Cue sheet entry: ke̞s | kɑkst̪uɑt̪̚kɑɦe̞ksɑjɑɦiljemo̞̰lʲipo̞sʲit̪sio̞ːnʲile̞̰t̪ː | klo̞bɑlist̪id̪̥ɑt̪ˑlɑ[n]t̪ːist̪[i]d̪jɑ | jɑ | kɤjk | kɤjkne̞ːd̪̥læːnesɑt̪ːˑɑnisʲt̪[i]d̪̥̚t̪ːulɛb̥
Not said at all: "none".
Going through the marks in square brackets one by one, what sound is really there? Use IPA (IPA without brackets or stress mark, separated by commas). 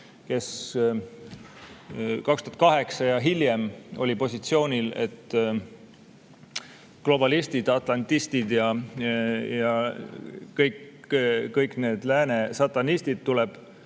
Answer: n, i, i